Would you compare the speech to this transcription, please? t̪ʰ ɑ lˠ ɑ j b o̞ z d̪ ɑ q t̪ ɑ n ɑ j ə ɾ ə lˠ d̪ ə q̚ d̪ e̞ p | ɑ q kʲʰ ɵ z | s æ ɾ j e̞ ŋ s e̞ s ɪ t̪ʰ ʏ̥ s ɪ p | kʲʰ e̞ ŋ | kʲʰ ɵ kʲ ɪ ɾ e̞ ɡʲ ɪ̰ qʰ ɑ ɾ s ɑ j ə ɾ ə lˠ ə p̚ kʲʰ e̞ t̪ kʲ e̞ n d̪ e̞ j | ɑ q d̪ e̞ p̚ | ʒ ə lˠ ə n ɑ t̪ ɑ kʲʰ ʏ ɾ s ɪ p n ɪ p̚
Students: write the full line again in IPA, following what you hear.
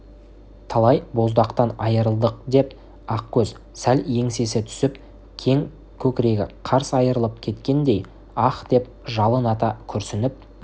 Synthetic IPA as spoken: t̪ʰ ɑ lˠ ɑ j b o̞ z d̪ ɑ q t̪ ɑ n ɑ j ə ɾ ə lˠ d̪ ə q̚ d̪ e̞ p | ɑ q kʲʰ ɵ z | s æ l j e̞ ŋ s e̞ s ɪ t̪ʰ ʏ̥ s ɪ p | kʲʰ e̞ ŋ | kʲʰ ɵ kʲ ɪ ɾ e̞ ɡʲ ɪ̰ qʰ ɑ ɾ s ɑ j ə ɾ ə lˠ ə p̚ kʲʰ e̞ t̪ kʲ e̞ n d̪ e̞ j | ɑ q d̪ e̞ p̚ | ʒ ɑ lˠ ə n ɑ t̪ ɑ kʲʰ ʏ ɾ s ɪ n ɪ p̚